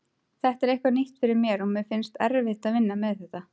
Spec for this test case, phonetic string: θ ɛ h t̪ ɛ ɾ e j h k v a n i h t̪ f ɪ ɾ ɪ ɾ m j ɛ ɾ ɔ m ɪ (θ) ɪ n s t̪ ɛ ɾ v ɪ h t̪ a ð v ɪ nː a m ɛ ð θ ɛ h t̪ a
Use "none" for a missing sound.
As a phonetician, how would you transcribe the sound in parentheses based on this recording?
f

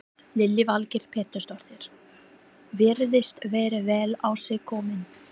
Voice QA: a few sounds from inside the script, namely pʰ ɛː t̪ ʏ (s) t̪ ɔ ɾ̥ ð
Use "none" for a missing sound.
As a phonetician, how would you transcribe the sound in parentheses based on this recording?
s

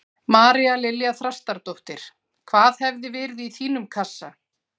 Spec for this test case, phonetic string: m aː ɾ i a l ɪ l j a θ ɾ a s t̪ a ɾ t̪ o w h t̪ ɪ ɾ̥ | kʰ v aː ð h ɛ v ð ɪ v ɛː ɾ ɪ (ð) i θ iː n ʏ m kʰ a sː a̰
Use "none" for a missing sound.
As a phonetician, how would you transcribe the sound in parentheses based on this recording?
ð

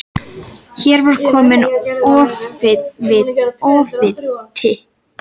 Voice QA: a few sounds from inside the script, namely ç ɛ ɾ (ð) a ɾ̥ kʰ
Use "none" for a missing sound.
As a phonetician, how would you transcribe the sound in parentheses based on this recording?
v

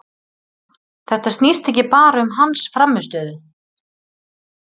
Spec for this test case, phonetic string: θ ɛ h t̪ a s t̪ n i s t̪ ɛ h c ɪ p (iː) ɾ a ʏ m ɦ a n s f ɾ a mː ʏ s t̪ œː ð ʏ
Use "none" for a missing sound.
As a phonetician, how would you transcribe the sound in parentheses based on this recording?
aː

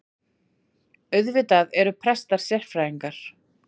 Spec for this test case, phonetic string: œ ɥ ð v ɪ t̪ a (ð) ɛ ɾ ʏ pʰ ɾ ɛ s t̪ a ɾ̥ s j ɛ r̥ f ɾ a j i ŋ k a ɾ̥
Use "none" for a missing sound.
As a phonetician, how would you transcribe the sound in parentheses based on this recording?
ð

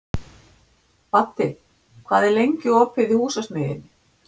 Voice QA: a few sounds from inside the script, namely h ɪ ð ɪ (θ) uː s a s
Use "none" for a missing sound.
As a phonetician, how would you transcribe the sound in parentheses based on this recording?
h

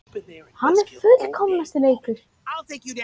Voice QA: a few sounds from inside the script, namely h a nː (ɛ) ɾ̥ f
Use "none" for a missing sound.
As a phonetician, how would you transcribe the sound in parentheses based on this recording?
ɛ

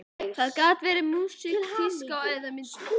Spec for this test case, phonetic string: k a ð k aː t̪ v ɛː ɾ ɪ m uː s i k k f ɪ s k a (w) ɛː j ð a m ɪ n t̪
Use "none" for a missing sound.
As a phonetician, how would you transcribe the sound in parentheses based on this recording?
w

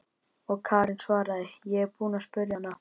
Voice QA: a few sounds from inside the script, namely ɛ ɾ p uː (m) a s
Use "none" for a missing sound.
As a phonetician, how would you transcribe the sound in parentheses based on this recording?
n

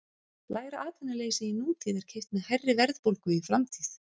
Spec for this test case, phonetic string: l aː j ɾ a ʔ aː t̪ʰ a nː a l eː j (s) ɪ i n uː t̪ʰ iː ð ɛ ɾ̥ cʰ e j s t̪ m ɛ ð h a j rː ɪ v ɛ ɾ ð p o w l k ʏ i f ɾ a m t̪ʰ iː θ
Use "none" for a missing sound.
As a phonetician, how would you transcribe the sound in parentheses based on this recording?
s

